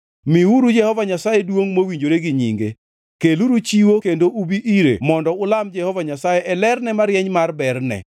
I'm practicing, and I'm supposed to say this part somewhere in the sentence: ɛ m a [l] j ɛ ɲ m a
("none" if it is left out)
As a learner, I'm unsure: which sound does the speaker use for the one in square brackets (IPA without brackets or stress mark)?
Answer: ɾ